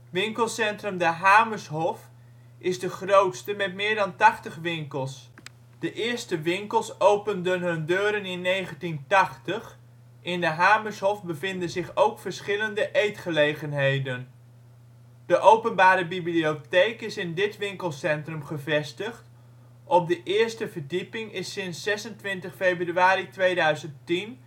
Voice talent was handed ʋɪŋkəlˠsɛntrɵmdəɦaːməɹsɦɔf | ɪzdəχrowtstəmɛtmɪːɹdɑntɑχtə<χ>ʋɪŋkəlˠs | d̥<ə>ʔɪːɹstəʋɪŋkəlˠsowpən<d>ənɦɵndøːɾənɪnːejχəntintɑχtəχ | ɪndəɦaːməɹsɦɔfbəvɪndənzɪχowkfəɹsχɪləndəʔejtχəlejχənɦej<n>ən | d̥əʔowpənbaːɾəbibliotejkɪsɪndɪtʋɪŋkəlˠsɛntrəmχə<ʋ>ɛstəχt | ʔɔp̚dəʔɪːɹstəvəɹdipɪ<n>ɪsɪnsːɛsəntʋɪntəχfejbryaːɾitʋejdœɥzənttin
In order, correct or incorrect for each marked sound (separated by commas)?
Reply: correct, correct, correct, incorrect, incorrect, incorrect